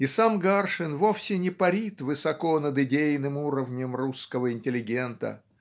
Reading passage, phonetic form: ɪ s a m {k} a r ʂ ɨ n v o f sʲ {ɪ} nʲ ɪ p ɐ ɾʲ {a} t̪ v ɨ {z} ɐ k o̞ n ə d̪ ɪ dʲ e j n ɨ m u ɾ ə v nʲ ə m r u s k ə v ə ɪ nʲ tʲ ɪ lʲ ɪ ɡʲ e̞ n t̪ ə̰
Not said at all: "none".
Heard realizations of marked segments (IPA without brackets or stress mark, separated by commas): ɡ, ɪ, i, s